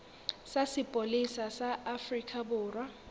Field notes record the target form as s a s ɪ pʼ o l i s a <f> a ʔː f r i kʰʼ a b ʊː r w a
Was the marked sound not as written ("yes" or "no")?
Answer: yes